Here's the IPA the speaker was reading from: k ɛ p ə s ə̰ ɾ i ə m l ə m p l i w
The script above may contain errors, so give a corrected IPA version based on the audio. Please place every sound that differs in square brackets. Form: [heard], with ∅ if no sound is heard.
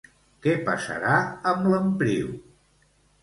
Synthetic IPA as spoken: k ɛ p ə s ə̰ ɾ [a] ə m l ə m p [ɾ] i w